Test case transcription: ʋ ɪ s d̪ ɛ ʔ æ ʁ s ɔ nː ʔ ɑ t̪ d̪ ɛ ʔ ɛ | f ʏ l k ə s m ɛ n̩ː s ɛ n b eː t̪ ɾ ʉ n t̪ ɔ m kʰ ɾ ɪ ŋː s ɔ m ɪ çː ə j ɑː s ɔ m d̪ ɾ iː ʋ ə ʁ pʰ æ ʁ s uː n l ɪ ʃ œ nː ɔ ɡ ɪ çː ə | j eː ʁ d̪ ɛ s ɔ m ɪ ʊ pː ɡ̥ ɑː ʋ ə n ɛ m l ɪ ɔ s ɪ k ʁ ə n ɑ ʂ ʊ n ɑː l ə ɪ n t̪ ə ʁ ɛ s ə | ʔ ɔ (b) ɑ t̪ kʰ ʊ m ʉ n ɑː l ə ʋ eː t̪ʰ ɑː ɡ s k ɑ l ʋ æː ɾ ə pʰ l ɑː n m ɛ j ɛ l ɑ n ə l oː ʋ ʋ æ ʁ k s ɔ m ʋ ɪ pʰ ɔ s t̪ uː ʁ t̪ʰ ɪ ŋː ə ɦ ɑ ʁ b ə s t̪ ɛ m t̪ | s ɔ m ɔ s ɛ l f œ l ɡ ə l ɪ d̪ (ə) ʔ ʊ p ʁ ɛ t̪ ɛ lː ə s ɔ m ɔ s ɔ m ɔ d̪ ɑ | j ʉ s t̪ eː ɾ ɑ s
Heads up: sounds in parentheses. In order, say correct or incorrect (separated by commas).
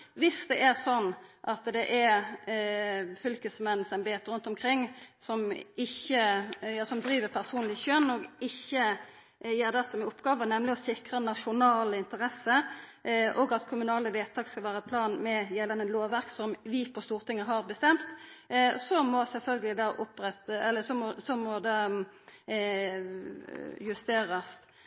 incorrect, incorrect